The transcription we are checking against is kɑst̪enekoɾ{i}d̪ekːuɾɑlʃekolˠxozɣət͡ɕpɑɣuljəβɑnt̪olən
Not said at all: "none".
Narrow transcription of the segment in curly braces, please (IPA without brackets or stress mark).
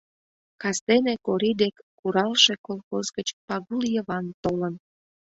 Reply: i